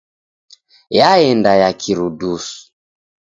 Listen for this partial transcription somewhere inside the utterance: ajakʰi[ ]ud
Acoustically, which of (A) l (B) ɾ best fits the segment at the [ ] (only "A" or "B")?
B